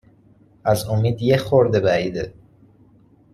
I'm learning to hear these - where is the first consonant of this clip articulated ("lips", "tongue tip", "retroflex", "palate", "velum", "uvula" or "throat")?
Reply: tongue tip